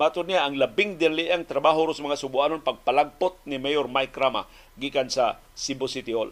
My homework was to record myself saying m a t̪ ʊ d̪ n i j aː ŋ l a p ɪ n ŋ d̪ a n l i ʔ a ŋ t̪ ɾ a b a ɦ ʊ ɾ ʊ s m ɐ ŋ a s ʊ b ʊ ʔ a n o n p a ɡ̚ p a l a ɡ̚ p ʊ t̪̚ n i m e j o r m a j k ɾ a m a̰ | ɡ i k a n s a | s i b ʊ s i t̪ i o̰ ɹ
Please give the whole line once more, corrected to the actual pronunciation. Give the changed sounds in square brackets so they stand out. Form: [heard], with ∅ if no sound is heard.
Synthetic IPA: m a t̪ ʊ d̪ n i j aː ŋ l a [b] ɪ [∅] ŋ d̪ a n l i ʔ a ŋ t̪ ɾ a b a ɦ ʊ ɾ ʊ s m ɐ ŋ a s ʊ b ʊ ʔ a n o n p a ɡ̚ p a l a ɡ̚ p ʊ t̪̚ n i m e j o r m a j k ɾ a m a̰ | ɡ i k a n s a | s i b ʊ s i t̪ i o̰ [l]